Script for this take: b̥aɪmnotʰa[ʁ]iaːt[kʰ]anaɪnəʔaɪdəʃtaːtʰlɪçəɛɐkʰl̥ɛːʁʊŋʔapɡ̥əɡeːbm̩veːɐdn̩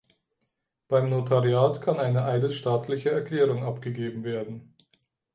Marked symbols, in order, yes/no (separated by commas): yes, yes